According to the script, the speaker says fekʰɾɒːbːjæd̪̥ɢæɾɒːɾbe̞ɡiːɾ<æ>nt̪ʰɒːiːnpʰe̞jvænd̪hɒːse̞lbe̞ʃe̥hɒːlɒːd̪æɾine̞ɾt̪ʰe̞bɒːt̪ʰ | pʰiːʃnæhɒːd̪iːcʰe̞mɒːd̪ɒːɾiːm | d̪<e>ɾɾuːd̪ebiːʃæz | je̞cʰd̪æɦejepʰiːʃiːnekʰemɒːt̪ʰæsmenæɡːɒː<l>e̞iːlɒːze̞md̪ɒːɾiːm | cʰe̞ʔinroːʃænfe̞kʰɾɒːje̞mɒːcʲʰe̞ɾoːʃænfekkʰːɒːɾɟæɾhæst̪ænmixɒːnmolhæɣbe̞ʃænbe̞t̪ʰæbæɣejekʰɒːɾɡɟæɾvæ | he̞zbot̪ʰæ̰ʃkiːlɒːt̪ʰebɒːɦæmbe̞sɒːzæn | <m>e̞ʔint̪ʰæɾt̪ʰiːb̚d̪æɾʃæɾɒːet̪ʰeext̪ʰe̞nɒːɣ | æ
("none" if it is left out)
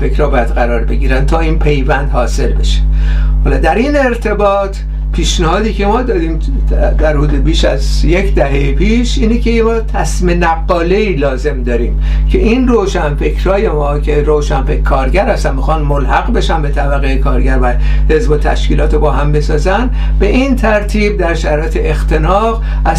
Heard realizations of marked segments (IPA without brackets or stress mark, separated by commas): æ, æ, l, b